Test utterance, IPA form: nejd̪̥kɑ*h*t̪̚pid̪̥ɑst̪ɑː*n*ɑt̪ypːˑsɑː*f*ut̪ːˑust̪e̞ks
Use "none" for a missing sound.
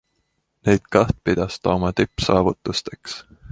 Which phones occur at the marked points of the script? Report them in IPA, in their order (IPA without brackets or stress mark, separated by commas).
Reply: h, m, v